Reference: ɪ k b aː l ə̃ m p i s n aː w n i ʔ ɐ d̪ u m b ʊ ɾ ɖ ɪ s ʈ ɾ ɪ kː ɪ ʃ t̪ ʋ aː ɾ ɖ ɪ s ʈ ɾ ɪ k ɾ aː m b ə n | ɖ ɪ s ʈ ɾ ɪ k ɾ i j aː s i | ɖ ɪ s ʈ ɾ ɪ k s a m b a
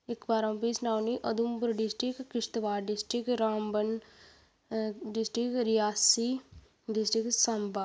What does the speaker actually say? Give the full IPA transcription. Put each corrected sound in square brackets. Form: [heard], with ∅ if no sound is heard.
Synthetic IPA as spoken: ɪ k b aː [ɾ] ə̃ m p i s n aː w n i ʔ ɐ d̪ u m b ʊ ɾ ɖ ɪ s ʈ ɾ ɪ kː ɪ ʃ t̪ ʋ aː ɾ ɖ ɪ s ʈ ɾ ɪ k ɾ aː m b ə n | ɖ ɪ s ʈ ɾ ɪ k ɾ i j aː s i | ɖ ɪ s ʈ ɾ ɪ k s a m b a